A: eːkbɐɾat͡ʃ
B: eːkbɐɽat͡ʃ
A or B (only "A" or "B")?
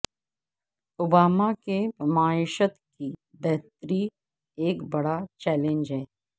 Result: B